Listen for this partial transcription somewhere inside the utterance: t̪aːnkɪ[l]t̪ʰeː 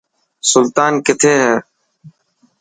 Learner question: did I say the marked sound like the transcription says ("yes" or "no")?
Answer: no